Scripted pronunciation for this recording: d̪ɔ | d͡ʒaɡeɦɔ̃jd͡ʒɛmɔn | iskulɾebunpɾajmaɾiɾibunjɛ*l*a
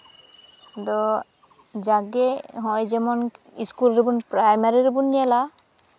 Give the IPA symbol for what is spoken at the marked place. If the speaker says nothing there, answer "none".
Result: l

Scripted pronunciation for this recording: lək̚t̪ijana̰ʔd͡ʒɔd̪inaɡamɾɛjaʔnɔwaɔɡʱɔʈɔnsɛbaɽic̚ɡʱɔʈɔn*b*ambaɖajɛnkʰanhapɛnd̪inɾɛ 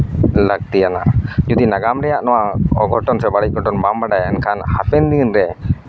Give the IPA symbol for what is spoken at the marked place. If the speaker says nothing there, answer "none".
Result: b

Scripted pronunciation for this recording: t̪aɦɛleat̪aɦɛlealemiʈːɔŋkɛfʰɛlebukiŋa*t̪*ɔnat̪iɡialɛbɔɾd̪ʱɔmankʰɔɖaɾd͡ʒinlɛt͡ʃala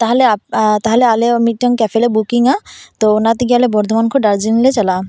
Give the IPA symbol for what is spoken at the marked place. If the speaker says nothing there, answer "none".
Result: t̪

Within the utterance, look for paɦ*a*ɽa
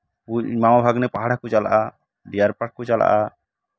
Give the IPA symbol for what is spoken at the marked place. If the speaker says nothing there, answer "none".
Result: a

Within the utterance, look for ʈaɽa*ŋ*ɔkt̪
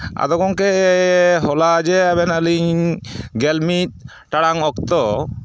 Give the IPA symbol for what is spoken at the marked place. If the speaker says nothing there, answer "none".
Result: ŋ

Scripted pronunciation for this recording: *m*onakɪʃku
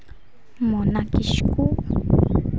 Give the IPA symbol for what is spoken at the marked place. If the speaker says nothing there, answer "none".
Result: m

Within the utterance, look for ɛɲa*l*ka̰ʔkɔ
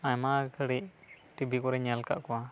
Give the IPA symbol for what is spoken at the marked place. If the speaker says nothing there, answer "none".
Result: l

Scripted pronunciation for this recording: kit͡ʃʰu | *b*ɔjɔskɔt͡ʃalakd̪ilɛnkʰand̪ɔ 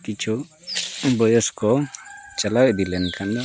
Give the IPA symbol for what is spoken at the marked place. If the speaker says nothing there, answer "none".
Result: b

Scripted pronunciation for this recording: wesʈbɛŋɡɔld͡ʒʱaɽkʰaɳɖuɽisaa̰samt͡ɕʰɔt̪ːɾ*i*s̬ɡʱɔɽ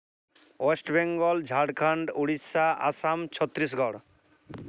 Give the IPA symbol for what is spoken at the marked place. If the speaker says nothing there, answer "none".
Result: i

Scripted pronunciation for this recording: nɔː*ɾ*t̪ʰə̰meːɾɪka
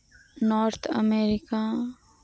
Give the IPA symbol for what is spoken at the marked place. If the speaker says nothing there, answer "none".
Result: ɾ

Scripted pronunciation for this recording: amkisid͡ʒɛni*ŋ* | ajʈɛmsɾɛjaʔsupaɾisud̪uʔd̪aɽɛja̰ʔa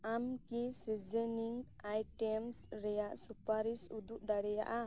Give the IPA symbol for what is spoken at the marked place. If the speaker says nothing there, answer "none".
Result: ŋ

